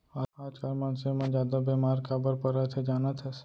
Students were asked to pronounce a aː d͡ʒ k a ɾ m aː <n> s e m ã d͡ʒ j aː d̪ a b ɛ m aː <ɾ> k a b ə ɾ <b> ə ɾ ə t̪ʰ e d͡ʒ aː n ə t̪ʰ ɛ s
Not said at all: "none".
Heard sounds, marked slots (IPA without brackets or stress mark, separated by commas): n, ɾ, p